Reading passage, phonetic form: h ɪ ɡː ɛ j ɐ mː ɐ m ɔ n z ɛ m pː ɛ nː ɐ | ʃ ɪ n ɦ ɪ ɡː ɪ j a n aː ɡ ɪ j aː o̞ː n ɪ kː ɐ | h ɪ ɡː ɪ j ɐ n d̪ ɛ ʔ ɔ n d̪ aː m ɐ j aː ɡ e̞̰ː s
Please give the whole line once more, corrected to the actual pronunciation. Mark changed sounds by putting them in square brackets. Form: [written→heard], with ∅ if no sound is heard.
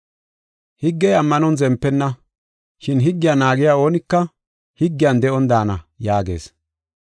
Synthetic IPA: h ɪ ɡː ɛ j ɐ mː ɐ [m→n] ɔ n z ɛ m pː ɛ nː ɐ | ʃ ɪ n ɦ ɪ ɡː ɪ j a n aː ɡ ɪ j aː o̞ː n ɪ kː ɐ | h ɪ ɡː ɪ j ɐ n d̪ ɛ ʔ ɔ n d̪ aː [m→n] ɐ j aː ɡ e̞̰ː s